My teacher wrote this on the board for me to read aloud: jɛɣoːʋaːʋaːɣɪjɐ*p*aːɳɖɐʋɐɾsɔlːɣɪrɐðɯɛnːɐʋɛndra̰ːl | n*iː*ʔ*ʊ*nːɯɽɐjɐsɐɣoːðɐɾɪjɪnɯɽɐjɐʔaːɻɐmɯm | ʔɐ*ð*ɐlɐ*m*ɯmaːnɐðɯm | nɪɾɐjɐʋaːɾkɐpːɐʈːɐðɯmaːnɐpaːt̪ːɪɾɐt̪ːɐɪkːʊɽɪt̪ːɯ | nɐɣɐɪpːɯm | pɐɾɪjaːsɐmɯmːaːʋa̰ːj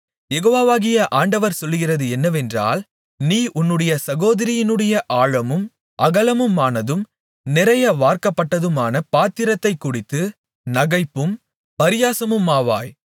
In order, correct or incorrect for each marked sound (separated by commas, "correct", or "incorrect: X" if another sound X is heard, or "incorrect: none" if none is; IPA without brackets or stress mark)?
incorrect: ʔ, correct, correct, incorrect: ɣ, correct